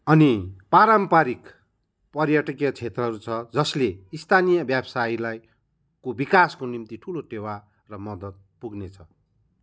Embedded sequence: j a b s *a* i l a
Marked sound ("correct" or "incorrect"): correct